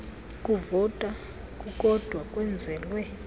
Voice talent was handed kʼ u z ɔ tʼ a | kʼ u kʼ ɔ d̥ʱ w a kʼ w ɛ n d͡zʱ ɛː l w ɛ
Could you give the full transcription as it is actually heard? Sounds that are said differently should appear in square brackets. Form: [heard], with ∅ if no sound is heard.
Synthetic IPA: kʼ u [v] ɔ tʼ a | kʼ u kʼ ɔ d̥ʱ w a kʼ w ɛ n d͡zʱ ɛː l w ɛ